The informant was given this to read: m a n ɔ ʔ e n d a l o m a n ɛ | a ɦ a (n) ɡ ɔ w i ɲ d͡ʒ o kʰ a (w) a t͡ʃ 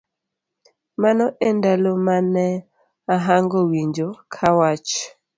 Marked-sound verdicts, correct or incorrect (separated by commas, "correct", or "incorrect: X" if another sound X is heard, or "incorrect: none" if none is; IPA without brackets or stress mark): incorrect: ŋ, correct